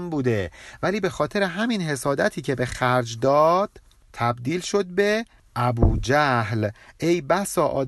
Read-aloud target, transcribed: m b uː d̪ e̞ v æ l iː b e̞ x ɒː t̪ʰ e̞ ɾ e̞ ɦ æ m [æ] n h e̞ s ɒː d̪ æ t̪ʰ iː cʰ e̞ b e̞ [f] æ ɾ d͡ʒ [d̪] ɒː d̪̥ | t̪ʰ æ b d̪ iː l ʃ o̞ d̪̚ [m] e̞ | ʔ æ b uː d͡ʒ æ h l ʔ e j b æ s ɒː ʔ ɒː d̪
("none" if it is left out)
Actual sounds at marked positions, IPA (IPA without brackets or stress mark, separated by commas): i, x, d̪, b